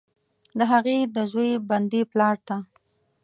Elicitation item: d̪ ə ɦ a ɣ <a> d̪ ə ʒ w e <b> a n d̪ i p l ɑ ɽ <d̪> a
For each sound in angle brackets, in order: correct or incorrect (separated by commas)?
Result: incorrect, correct, incorrect